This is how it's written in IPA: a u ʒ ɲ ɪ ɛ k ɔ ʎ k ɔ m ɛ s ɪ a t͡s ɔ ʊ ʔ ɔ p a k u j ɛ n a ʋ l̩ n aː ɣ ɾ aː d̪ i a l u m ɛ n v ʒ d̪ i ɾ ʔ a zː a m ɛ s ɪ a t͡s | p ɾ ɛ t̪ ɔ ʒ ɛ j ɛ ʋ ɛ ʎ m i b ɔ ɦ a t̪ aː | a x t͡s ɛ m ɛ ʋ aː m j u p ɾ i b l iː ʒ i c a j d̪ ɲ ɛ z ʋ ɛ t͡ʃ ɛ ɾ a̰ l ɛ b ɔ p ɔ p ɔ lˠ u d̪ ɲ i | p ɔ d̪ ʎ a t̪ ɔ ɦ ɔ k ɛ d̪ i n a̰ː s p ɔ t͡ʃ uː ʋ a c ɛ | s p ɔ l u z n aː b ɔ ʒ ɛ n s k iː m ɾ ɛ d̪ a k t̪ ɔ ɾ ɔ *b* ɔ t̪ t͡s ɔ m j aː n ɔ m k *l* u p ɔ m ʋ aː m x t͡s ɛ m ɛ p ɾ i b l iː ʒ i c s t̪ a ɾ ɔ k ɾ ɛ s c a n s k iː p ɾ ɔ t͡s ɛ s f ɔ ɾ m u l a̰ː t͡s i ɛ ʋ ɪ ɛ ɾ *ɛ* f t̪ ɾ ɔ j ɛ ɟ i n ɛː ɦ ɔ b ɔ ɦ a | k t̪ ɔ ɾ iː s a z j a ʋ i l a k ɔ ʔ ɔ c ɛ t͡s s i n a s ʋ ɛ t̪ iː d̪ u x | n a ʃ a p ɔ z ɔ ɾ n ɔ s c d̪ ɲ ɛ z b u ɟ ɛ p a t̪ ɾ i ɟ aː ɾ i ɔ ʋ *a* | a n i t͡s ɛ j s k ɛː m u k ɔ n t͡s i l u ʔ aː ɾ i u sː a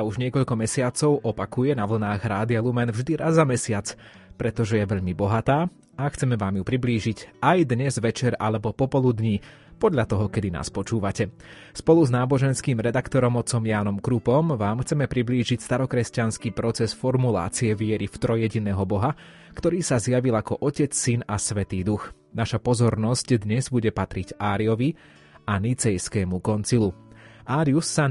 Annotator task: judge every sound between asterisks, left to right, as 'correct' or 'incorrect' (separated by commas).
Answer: incorrect, incorrect, incorrect, incorrect